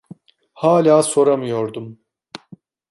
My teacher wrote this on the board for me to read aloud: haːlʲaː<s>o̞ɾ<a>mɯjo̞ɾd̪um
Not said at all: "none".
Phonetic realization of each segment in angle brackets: s, a

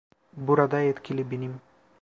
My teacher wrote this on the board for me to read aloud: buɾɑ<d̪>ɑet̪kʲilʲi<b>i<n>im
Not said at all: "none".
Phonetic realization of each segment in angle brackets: d̪, b, n

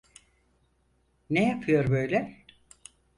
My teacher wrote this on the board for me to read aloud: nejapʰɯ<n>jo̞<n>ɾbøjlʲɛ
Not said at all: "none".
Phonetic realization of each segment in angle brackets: none, none

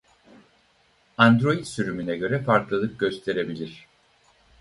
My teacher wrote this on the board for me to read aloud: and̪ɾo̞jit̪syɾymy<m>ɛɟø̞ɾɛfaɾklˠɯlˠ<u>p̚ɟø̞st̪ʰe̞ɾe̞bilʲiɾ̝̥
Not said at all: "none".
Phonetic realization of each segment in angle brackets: n, ɯ

